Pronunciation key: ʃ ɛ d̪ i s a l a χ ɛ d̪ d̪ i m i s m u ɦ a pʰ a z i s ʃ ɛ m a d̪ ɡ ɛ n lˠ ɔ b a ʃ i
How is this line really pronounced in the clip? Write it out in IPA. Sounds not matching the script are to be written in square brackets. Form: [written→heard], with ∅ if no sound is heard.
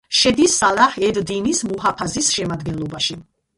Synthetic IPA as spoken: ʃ ɛ d̪ i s a l a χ ɛ d̪ d̪ i [m→n] i s m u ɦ a pʰ a z i s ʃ ɛ m a d̪ ɡ ɛ n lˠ ɔ b a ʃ i